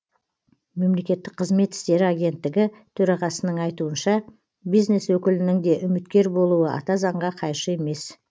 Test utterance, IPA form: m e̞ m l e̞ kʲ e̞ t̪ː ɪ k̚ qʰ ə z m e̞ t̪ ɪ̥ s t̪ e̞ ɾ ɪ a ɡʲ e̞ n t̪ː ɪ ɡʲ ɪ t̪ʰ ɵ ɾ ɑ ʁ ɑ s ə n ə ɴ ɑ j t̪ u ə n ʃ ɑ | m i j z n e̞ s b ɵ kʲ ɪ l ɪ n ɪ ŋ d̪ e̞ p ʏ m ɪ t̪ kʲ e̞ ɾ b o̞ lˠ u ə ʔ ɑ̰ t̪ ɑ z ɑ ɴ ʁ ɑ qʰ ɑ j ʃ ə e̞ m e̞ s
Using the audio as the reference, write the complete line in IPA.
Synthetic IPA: m e̞ m l e̞ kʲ e̞ t̪ː ɪ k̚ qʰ ə z m e̞ t̪ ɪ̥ s t̪ e̞ ɾ ɪ a ɡʲ e̞ n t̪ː ɪ ɡʲ ɪ t̪ʰ ɵ ɾ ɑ ʁ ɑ s ə n ə ɴ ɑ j t̪ u ə n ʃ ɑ | b i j z n e̞ s w ɵ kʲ ɪ l ɪ n ɪ ŋ d̪ e̞ ʔ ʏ m ɪ t̪ kʲ e̞ ɾ b o̞ lˠ u ə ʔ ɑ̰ t̪ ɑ z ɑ ɴ ʁ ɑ qʰ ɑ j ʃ ə e̞ m e̞ s